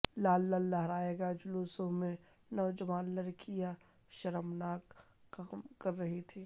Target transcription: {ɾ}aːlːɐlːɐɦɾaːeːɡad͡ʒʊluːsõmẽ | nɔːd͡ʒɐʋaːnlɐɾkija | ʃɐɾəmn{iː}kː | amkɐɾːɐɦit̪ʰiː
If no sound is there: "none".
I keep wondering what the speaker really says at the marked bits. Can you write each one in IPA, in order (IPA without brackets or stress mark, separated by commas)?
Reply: l, aː